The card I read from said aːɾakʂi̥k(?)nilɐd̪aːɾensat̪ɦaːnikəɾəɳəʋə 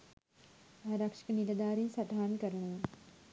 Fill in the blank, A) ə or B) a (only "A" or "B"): A